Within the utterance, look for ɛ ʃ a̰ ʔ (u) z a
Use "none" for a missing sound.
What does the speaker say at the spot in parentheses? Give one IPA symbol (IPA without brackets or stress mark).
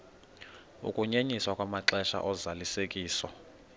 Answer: ɔ